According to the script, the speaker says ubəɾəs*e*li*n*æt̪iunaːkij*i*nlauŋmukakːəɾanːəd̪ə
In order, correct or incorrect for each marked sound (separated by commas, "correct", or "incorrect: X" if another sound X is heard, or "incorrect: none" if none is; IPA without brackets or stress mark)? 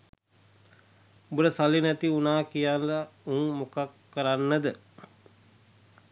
incorrect: a, correct, incorrect: a